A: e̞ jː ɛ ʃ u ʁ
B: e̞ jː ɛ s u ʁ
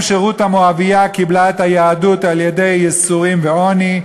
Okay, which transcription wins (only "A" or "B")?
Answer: B